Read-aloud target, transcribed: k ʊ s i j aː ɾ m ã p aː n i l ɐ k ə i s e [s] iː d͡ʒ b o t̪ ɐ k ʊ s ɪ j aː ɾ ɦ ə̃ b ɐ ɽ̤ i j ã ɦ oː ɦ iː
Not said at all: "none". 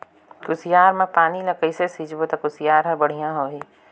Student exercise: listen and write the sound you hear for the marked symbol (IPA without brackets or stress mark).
s